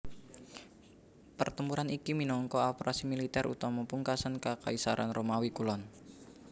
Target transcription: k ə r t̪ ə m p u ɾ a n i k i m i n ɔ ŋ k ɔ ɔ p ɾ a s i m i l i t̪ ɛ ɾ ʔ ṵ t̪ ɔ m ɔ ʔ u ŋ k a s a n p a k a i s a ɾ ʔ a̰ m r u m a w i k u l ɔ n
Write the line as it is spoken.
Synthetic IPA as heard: p ə r t̪ ə m p u ɾ a n i k i m i n ɔ ŋ k ɔ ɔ p ɾ a s i m i l i t̪ ɛ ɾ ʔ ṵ t̪ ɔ m ɔ p u ŋ k a s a n k a k a i s a ɾ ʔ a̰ n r o m a w i k u l ɔ n